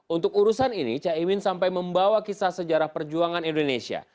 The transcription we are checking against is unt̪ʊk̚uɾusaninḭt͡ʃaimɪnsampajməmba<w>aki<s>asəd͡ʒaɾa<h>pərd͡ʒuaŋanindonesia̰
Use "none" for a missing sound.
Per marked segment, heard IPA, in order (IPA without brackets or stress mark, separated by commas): w, s, h